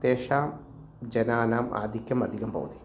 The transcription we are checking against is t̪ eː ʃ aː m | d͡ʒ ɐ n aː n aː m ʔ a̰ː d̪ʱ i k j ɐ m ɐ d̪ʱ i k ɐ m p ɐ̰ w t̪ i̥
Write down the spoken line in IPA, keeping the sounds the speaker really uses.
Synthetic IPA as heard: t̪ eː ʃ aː m | d͡ʒ ɐ n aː n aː m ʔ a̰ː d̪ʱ i k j ɐ m ɐ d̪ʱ i k ɐ m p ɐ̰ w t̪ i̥